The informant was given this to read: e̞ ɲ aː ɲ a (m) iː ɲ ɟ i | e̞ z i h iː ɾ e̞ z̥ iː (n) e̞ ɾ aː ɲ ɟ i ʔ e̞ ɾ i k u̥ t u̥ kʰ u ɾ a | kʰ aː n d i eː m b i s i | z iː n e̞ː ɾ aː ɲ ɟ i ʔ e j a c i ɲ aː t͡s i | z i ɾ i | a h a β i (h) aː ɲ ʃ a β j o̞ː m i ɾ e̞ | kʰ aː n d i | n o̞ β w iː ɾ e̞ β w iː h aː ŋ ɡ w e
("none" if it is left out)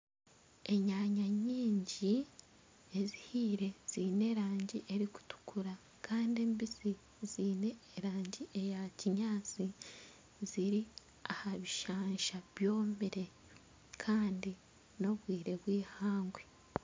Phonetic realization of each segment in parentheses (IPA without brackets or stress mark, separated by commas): ɲ, n, ʃ